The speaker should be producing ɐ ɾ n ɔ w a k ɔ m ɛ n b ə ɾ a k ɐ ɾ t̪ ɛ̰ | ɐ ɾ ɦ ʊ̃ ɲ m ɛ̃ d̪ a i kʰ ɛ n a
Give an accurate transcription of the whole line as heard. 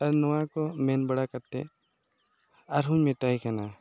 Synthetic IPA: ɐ ɾ n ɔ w a k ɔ m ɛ n b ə ɽ a k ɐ ɾ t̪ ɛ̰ | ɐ ɾ ɦ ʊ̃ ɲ m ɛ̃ t̪ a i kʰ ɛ n a